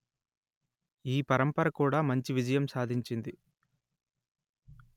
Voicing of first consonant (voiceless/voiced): voiceless